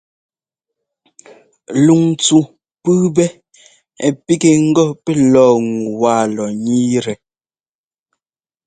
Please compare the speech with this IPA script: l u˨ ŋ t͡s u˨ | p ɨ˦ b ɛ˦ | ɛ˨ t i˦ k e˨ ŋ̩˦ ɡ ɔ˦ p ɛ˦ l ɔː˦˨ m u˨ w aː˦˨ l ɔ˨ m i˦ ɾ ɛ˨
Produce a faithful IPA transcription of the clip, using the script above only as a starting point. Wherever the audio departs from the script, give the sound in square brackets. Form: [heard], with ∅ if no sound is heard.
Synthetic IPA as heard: l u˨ ŋ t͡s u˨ | p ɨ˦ b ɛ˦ | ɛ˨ [p] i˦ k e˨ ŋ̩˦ ɡ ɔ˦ p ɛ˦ l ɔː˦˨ [ŋ] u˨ w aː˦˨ l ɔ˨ [ɲ] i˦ ɾ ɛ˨